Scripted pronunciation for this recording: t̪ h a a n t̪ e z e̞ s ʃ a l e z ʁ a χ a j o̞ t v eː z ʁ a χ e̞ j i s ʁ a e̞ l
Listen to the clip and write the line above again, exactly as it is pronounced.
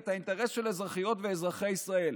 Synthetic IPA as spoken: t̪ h a i n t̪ e ʁ e̞ s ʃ e l e z ʁ a χ i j o̞ t v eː z ʁ a χ e̞ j i s ʁ a e̞ l